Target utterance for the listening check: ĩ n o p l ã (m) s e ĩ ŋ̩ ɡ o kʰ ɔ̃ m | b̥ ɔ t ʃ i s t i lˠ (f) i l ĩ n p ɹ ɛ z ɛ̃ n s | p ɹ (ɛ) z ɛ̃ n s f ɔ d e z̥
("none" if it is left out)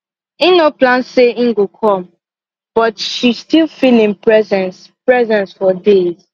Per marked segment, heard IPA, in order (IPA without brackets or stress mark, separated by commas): n, f, ɛ